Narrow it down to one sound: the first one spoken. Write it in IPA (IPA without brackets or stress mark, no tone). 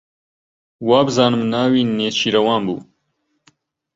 w